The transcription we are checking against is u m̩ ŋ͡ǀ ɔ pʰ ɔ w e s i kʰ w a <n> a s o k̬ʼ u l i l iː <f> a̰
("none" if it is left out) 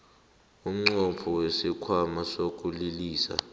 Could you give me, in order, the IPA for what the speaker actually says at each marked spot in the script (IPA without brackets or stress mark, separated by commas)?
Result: m, s